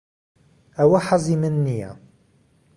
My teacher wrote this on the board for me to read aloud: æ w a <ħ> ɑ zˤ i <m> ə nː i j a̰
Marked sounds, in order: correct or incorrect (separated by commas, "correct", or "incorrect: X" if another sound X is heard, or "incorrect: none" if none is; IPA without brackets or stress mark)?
correct, correct